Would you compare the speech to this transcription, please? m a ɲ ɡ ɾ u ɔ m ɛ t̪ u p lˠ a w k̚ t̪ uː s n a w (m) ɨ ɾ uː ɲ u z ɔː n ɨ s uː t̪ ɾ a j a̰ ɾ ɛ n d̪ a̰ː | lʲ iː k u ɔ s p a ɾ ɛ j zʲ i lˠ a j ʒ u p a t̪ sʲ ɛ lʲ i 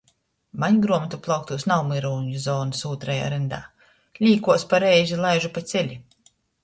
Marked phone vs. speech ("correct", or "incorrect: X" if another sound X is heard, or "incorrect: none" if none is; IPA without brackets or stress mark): correct